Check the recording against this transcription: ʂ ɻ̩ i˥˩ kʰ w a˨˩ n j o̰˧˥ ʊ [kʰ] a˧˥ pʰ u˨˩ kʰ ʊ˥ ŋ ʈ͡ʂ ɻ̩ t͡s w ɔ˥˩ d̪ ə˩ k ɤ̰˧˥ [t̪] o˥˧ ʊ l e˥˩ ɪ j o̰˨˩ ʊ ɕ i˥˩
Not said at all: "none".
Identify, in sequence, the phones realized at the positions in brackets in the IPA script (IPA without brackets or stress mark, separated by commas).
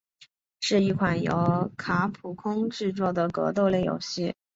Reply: kʰ, t̪